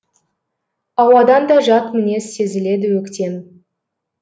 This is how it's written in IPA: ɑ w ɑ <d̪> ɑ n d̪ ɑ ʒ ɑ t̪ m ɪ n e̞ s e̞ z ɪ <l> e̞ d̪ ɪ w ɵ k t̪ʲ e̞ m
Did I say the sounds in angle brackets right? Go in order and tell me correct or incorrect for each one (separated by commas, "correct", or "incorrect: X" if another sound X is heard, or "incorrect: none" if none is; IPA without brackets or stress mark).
correct, correct